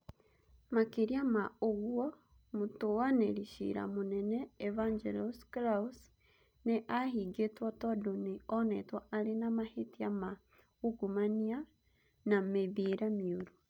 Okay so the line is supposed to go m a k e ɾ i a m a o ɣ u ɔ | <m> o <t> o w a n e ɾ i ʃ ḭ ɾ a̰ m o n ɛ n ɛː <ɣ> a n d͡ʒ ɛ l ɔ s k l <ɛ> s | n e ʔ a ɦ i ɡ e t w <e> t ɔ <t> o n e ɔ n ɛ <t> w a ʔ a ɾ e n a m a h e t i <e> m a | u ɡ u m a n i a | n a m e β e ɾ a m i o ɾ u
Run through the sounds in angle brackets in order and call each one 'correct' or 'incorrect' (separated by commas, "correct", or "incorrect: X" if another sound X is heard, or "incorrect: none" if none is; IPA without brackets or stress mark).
correct, correct, incorrect: v, incorrect: a, incorrect: a, incorrect: d, correct, incorrect: a